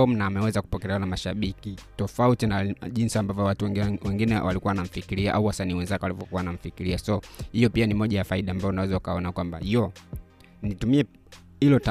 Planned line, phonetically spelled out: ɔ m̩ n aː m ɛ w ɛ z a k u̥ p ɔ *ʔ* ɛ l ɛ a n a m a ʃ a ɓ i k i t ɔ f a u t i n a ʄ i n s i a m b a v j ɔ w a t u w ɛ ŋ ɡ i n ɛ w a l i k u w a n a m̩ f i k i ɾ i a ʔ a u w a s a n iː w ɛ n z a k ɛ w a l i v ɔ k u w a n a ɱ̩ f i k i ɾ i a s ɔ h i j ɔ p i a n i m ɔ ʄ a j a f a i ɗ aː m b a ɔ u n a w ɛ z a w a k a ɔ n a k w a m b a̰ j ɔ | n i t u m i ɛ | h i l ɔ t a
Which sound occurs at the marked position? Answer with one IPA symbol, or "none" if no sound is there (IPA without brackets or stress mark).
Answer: k